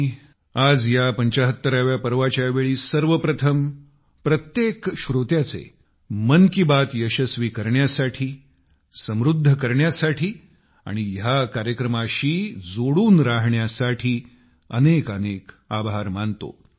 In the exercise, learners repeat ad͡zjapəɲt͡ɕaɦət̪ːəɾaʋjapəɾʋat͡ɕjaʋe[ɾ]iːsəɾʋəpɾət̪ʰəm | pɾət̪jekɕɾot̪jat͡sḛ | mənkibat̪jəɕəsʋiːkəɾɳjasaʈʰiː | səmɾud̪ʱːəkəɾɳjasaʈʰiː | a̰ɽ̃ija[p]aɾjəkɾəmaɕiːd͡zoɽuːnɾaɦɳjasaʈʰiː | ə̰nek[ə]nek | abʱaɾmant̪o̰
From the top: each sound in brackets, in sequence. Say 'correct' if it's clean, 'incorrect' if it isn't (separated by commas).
incorrect, incorrect, correct